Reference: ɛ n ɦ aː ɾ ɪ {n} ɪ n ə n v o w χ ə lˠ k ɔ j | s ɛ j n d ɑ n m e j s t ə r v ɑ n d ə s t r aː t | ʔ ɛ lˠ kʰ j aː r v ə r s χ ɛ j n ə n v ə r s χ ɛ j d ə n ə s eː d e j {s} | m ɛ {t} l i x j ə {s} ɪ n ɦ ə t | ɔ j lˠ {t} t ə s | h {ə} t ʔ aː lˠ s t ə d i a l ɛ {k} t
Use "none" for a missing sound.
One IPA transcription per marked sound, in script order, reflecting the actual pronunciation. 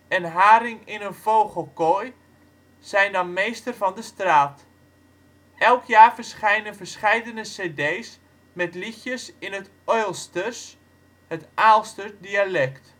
ŋ, s, t, s, s, ə, k

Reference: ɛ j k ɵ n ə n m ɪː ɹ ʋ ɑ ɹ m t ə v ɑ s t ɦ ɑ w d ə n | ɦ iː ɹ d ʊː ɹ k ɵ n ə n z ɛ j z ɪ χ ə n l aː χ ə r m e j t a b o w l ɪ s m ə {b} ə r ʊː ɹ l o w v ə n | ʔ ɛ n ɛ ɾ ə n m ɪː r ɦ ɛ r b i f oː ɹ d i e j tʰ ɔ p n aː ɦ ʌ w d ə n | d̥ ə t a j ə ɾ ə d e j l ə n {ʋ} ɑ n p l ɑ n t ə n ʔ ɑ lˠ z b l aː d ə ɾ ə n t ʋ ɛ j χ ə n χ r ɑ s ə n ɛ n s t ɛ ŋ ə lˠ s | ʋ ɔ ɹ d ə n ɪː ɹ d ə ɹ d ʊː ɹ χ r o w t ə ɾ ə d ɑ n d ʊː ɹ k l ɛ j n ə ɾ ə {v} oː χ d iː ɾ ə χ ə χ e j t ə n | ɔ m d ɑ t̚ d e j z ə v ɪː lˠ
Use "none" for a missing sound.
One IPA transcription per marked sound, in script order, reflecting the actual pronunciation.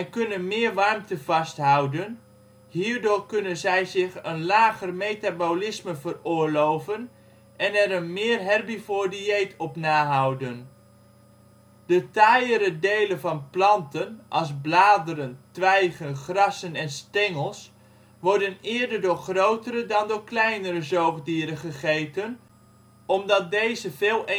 v, v, z

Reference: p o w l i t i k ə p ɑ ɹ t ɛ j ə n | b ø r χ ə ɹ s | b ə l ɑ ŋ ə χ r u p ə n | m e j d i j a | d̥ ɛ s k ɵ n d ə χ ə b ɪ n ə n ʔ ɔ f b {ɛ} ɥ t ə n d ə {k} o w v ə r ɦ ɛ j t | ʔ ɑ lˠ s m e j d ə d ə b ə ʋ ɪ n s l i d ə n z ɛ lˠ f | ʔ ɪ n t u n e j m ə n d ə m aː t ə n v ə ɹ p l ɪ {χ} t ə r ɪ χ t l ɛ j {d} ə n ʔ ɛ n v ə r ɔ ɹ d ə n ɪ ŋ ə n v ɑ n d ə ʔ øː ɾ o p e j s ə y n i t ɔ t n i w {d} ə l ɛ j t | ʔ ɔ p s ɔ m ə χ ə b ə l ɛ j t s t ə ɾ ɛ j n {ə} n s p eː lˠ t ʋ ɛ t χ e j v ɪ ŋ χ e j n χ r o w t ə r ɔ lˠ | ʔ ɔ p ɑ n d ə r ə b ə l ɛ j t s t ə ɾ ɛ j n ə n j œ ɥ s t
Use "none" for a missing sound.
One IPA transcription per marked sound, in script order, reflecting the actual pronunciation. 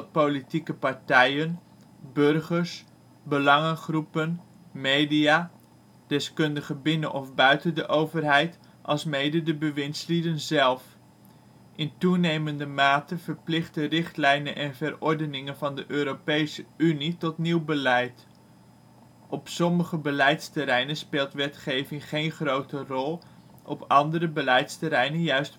œ, ʔ, χ, n, b, ə

